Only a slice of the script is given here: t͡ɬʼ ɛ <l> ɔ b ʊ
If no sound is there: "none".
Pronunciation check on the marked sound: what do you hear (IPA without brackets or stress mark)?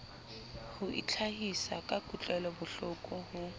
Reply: l